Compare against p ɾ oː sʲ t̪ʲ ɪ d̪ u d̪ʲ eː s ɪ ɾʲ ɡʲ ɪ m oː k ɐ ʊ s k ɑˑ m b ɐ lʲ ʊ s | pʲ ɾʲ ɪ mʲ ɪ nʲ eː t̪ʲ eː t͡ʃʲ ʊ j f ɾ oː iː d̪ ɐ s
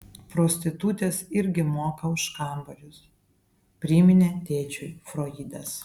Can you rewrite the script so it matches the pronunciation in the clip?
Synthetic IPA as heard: p ɾ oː sʲ t̪ʲ ɪ t̪ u t̪ʲ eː s ɪ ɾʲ ɡʲ ɪ m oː k ɐ ʊ ʃ k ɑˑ m b ɐ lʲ ʊ s | pʲ ɾʲ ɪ mʲ ɪ nʲ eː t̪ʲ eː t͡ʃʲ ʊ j f ɾ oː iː d̪ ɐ s